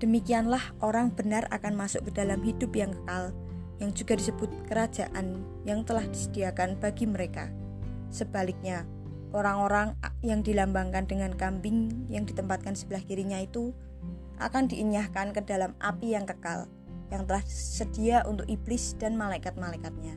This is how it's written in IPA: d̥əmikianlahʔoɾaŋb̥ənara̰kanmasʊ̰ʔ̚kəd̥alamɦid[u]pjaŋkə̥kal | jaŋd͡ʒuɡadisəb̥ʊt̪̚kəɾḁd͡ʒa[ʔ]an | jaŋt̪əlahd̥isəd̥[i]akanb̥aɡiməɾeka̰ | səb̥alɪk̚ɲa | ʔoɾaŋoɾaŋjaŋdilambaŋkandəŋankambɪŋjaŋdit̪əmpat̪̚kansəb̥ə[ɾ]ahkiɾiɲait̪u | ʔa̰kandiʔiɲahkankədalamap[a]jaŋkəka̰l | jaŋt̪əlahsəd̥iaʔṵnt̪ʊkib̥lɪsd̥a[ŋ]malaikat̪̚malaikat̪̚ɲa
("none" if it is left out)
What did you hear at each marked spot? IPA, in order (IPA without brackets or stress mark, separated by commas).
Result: ʊ, ʔ, i, l, i, n